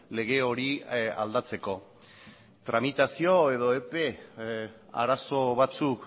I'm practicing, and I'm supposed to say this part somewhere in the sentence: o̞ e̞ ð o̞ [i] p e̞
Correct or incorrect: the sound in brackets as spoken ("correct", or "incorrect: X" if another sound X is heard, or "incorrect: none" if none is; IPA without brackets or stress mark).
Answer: incorrect: e